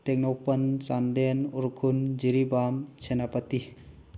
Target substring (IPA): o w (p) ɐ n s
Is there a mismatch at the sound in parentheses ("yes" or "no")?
no